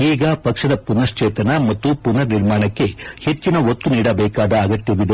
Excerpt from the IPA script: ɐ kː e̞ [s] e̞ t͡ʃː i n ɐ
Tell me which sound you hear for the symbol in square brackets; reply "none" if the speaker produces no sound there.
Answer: h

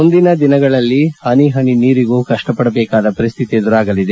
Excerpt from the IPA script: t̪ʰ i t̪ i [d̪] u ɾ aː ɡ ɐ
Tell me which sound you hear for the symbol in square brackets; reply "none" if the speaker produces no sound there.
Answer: d̪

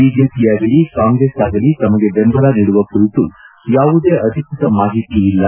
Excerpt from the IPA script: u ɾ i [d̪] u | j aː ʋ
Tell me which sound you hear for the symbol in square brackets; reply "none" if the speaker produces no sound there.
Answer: t̪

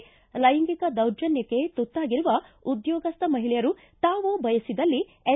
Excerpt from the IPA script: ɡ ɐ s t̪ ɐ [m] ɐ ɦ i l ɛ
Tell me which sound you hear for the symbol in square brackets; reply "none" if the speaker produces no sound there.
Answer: m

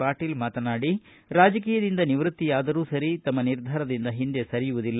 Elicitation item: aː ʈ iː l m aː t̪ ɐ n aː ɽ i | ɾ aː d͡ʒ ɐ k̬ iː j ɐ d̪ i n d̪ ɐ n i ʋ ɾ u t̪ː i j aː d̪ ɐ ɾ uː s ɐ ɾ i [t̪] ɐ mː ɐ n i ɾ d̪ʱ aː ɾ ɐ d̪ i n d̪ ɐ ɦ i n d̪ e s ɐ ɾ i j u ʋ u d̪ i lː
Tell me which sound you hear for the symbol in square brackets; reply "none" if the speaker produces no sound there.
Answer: t̪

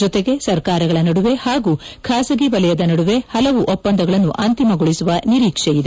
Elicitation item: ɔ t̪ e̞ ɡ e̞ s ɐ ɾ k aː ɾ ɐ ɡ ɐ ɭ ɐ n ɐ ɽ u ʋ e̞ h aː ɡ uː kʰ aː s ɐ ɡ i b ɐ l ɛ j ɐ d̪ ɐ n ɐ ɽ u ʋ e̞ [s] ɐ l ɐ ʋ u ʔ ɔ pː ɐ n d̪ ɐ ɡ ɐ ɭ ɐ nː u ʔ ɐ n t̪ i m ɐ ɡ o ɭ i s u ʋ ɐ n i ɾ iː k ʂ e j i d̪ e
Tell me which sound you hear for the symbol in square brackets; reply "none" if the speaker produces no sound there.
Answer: h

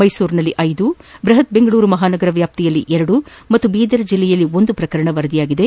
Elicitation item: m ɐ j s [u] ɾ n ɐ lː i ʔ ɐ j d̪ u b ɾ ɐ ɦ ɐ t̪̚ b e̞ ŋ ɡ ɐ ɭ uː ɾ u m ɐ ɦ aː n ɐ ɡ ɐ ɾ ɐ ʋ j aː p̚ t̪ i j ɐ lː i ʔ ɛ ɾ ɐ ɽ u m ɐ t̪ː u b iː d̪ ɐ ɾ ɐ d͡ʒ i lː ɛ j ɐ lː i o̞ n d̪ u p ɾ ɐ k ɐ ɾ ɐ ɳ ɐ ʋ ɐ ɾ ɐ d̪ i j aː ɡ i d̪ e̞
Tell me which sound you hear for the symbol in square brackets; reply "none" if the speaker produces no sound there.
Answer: uː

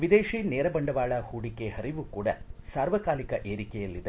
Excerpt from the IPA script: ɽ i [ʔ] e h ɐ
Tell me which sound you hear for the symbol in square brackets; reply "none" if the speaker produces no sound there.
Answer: k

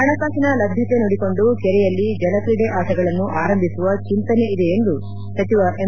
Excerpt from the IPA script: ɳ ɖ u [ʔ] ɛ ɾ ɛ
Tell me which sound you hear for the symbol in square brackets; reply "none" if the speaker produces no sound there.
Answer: k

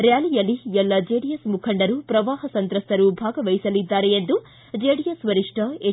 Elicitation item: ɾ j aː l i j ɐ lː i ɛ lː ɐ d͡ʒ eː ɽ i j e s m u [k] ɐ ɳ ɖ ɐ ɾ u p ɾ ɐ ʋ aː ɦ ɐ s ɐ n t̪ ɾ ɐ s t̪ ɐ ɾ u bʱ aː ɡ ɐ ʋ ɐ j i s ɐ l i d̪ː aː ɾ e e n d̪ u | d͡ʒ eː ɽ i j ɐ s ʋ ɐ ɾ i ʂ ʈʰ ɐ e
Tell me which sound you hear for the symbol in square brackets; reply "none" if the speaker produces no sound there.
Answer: kʰ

